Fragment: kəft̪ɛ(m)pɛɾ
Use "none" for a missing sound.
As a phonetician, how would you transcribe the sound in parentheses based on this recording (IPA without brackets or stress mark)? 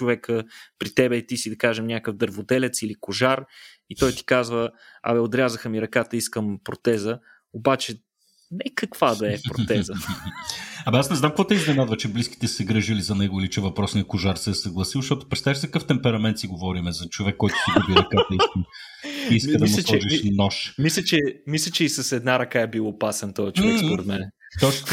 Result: m